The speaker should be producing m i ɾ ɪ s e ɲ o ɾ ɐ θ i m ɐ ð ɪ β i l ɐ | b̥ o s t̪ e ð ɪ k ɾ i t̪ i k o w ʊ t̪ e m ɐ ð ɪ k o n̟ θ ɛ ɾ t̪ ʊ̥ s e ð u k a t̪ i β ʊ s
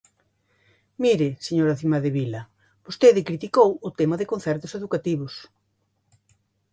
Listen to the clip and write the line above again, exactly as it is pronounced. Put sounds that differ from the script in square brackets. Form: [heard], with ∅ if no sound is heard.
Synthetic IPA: m i ɾ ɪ s e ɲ o ɾ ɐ θ i m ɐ ð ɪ β i l ɐ | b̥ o s t̪ e ð ɪ k ɾ i t̪ i k o w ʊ t̪ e m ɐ ð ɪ k o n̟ θ ɛ ɾ t̪ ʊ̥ s e ð u k a t̪ i β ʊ s